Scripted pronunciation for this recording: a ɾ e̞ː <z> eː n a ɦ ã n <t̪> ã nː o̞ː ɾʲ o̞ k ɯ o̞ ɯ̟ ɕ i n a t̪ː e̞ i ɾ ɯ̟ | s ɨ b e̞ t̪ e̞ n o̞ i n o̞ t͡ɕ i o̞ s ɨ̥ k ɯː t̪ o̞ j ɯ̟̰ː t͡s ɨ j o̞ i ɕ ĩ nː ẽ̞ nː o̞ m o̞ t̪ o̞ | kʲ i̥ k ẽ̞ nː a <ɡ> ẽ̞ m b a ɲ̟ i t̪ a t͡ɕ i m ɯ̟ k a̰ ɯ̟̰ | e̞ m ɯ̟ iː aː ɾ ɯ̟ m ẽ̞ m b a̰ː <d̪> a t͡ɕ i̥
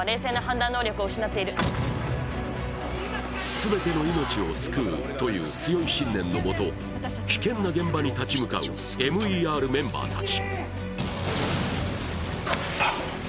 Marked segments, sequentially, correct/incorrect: incorrect: s, incorrect: d̪, correct, incorrect: t̪

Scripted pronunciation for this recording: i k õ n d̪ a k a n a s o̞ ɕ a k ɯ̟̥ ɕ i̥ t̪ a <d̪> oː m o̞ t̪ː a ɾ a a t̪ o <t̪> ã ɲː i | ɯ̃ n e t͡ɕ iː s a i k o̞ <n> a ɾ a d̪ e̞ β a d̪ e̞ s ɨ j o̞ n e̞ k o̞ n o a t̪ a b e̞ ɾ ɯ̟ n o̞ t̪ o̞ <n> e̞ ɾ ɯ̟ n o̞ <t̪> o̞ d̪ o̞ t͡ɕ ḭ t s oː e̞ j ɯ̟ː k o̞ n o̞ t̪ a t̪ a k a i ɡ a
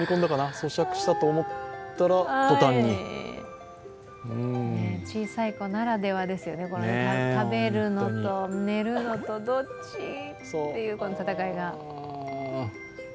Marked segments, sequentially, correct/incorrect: incorrect: t̪, correct, correct, correct, correct

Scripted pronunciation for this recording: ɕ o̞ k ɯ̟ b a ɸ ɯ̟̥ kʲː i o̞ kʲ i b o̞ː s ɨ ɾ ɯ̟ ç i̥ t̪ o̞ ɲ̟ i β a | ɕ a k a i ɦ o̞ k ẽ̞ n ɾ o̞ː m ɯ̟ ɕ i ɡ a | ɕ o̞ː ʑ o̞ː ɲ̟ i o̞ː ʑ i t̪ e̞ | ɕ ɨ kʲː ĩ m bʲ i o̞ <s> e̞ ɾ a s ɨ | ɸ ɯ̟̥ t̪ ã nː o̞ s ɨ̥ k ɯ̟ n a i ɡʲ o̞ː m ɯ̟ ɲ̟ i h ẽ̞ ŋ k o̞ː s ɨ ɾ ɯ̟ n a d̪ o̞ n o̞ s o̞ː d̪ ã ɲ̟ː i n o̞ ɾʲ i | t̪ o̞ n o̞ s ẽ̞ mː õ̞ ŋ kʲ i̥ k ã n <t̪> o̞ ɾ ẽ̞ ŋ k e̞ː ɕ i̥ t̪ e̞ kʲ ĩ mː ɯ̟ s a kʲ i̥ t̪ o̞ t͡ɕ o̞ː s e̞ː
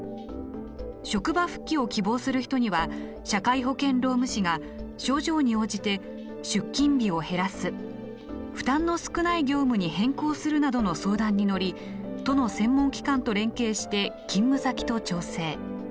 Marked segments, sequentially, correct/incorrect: incorrect: h, correct

